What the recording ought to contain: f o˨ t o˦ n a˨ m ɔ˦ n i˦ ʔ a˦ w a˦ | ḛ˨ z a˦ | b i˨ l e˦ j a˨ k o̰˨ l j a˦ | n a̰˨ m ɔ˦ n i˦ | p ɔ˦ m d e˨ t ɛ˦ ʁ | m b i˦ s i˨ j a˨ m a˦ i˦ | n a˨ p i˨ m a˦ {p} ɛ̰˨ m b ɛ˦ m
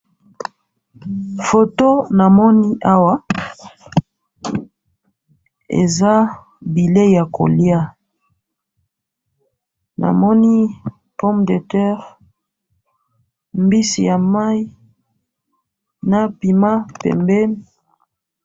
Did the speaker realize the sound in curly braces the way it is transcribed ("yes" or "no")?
yes